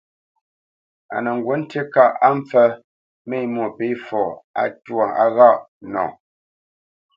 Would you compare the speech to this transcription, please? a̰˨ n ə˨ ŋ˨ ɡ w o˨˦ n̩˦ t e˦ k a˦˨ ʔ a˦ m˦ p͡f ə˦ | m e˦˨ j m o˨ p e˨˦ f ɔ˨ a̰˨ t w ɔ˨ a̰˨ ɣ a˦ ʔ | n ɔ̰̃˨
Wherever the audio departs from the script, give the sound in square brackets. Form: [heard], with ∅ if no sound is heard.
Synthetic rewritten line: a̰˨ n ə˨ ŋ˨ ɡ w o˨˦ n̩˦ t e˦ k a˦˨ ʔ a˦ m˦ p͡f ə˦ | m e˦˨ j m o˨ p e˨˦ f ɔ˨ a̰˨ t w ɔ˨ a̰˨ ɣ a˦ ʔ | n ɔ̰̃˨

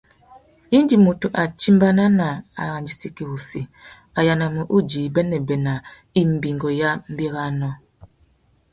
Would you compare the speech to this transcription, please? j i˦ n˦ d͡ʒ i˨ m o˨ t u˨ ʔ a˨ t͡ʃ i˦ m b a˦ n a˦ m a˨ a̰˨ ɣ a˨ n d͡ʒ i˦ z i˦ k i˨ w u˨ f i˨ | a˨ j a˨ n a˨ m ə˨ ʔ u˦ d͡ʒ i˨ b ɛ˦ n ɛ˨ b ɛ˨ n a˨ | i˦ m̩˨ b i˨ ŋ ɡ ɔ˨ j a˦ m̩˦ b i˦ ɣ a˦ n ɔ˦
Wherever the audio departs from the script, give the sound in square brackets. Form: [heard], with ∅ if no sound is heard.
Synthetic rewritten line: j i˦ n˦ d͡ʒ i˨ m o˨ t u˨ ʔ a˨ t͡ʃ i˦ m b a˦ n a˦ [n] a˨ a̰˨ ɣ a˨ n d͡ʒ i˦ [s] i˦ k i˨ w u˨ [s] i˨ | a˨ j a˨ n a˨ m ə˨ ʔ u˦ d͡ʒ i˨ b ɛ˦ n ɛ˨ b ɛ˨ n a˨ | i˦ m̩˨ b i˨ ŋ ɡ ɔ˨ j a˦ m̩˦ b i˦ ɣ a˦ n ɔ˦

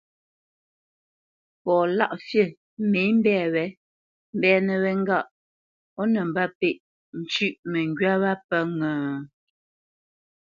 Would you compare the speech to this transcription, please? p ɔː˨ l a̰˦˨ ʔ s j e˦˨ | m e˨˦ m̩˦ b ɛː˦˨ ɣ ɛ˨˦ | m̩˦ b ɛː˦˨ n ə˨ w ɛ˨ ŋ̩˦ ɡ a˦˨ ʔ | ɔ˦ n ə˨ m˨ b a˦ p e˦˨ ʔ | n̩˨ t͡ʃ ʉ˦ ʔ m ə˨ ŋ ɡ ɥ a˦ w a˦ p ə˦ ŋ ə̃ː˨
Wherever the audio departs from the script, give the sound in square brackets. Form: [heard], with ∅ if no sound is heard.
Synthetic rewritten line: p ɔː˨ l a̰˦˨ ʔ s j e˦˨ | m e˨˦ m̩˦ b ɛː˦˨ [w] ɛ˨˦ | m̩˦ b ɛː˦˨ n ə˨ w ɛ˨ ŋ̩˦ ɡ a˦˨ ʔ | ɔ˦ n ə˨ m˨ b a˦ p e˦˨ ʔ | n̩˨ t͡ʃ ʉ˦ ʔ m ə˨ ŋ ɡ ɥ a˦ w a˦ p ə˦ ŋ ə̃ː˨

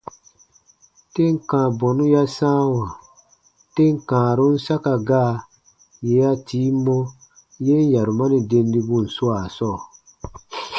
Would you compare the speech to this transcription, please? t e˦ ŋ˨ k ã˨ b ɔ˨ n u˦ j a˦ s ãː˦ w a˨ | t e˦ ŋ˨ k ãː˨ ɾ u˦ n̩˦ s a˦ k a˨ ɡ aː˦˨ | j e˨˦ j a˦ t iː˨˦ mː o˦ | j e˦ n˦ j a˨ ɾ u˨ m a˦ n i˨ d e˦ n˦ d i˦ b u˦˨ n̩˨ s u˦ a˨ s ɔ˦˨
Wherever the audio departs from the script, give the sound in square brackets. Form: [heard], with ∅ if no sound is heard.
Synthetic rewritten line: t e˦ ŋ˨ k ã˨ b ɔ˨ n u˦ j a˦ s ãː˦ w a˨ | t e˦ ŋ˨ k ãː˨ ɾ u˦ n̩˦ s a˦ k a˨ ɡ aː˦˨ | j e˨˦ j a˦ t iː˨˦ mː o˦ | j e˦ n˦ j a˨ ɾ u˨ m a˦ n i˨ d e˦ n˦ d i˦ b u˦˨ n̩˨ s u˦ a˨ s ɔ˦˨

